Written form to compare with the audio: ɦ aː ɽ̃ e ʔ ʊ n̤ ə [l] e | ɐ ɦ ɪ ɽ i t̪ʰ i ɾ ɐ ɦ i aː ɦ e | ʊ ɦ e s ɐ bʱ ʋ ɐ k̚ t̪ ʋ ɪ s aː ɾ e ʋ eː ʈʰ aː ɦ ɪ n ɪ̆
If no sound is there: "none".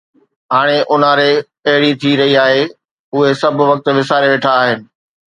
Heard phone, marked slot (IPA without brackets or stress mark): ɾ